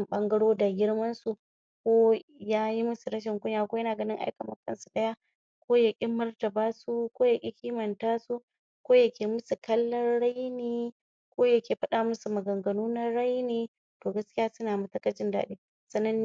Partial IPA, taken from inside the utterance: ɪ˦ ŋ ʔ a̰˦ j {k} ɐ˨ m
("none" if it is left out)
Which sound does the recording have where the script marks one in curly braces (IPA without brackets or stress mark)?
k